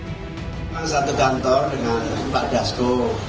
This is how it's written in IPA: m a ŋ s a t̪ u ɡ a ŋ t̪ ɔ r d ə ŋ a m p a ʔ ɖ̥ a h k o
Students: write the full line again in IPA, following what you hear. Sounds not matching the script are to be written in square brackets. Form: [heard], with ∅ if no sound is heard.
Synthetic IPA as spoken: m a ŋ s a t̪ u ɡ a [n] t̪ ɔ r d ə ŋ a [n] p a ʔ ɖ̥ a [s] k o